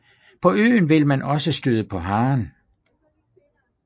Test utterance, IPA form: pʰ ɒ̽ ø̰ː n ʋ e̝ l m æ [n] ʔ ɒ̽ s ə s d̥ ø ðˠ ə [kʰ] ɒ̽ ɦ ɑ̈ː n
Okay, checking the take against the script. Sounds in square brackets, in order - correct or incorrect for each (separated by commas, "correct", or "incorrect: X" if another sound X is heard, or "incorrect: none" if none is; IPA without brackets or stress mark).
correct, incorrect: pʰ